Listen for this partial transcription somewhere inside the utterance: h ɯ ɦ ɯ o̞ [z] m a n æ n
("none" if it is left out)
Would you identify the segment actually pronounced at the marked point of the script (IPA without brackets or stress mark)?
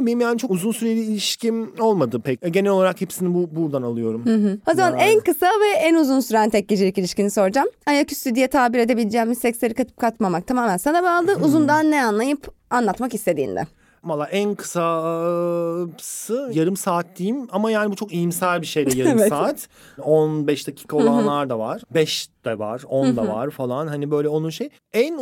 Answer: z